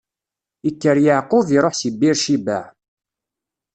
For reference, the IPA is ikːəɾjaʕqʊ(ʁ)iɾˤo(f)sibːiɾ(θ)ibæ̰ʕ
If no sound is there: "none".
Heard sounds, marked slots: v, ħ, ʃ

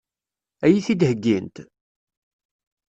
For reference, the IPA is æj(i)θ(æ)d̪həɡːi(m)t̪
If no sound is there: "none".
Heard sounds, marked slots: i, i, n

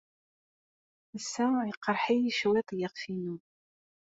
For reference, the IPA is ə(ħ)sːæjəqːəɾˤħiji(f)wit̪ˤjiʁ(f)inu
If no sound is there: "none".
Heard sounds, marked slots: none, ʃ, f

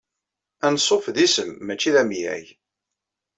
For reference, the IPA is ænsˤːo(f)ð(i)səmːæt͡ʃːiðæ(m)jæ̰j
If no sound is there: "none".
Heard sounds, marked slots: f, i, m

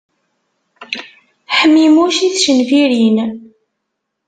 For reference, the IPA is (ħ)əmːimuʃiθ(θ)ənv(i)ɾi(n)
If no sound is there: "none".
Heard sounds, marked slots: ħ, ʃ, i, n

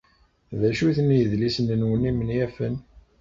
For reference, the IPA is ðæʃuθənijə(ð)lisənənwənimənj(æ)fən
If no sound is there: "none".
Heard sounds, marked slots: ð, æ

